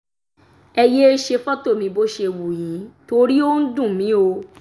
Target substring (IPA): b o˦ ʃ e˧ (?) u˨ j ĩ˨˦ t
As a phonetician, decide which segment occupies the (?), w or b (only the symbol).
w